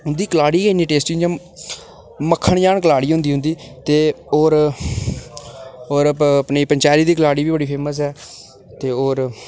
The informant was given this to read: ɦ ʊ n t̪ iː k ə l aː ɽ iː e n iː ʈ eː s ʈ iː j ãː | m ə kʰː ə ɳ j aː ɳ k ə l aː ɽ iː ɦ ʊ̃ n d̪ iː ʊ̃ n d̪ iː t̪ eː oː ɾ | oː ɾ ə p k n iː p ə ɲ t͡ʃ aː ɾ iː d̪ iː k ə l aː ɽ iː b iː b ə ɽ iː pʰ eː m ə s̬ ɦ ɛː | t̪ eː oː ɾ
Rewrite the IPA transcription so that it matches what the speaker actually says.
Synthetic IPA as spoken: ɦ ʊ n d̪ iː k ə l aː ɽ iː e n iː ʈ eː s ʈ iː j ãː | m ə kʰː ə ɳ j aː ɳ k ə l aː ɽ iː ɦ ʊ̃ n d̪ iː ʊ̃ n d̪ iː t̪ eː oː ɾ | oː ɾ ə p p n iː p ə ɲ t͡ʃ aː ɾ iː d̪ iː k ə l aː ɽ iː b iː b ə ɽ iː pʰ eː m ə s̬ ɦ ɛː | t̪ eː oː ɾ

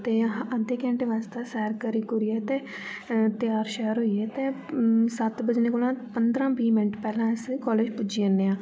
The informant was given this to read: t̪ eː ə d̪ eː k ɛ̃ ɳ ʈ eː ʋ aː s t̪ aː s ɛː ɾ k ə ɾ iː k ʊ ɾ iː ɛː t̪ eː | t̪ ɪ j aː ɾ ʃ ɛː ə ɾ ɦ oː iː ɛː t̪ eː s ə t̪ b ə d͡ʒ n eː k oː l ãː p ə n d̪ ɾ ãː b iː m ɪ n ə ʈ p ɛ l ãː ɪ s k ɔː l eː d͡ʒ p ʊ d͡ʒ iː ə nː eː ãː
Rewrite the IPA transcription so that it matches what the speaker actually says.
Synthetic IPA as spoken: t̪ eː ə d̪ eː k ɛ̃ ɳ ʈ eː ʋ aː s t̪ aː s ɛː ɾ k ə ɾ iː k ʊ ɾ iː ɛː t̪ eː | t̪ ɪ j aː ɾ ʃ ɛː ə ɾ ɦ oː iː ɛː t̪ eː s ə t̪ b ə d͡ʒ n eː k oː l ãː p ə n d̪ ɾ ãː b iː m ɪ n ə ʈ p ɛː l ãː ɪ s k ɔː l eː d͡ʒ p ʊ d͡ʒ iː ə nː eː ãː

